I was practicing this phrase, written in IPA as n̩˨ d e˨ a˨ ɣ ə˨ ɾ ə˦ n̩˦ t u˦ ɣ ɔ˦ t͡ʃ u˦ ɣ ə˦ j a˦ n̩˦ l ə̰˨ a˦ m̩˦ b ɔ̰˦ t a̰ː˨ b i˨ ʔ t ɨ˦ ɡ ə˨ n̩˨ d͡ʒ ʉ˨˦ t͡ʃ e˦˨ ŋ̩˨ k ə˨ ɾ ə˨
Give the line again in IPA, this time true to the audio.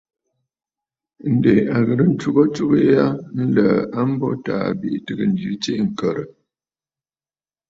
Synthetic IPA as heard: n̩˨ d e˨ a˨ ɣ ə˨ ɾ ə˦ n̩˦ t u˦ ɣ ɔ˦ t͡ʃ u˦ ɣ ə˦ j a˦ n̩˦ l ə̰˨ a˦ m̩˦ b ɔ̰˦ t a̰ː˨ b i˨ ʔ t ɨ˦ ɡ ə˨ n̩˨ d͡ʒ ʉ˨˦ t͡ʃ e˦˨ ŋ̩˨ k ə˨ ɾ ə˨